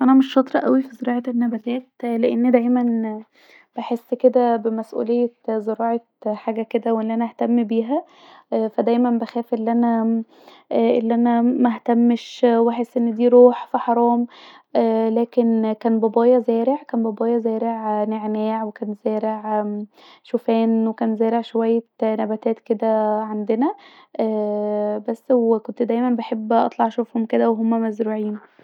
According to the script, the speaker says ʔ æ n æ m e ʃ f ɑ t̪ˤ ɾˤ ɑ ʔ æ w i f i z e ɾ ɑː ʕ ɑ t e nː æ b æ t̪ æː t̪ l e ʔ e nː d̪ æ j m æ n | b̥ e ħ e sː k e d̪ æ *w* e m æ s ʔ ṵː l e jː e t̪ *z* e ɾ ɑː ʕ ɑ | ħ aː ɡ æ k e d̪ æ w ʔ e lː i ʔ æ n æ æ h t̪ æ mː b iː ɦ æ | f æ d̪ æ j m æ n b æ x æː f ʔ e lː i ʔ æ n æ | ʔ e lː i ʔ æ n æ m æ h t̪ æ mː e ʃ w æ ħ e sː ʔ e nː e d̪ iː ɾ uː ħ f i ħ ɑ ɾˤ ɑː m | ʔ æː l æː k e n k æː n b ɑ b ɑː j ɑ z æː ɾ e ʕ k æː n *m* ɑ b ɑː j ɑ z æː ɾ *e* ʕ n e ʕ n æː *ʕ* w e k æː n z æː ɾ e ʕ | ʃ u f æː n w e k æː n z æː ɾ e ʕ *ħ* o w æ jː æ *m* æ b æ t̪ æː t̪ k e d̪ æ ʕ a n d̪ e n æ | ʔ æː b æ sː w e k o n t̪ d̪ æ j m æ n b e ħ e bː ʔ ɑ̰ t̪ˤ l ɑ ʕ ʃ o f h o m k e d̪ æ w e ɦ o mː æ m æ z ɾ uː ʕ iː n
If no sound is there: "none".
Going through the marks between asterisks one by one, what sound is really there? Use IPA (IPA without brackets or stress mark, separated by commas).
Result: b, z, b, e, ʕ, ʃ, n